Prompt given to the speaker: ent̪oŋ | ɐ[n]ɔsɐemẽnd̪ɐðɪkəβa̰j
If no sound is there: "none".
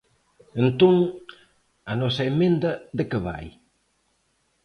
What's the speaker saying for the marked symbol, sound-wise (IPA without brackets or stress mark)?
n